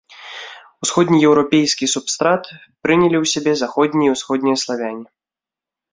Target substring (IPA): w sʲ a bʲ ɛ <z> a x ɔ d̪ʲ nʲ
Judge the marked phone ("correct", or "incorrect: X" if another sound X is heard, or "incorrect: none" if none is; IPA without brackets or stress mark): correct